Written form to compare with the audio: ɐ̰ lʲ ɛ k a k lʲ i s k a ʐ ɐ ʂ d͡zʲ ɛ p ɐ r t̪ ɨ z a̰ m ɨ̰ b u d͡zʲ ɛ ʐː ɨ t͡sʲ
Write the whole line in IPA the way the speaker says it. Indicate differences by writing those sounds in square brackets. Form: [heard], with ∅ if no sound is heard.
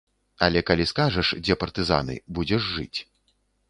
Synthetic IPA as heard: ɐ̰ lʲ ɛ k a [∅] lʲ i s k a ʐ ɐ ʂ d͡zʲ ɛ p ɐ r t̪ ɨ z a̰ [n] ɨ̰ b u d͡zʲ ɛ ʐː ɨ t͡sʲ